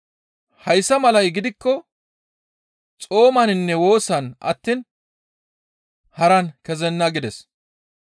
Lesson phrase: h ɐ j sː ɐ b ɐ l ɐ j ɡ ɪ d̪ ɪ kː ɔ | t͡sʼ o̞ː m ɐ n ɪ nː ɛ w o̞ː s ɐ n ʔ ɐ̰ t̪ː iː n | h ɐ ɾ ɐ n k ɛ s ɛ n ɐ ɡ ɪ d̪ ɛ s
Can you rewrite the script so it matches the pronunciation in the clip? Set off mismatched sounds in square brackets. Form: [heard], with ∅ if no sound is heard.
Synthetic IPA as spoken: h ɐ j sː ɐ [m] ɐ l ɐ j ɡ ɪ d̪ ɪ kː ɔ | t͡sʼ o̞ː m ɐ n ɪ nː ɛ w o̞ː s ɐ n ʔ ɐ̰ t̪ː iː n | h ɐ ɾ ɐ n k ɛ [z] ɛ [nː] ɐ ɡ ɪ d̪ ɛ s